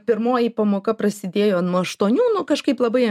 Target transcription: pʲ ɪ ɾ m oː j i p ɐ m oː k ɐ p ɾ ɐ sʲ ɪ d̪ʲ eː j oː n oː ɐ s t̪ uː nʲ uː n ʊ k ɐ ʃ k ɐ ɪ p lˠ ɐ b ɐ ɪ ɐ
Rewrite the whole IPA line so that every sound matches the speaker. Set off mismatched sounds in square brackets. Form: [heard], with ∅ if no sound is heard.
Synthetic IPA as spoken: pʲ ɪ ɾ m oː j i p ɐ m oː k ɐ p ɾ ɐ sʲ ɪ d̪ʲ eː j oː n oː ɐ [ʃ] t̪ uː nʲ uː n ʊ k ɐ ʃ k ɐ ɪ p lˠ ɐ b ɐ ɪ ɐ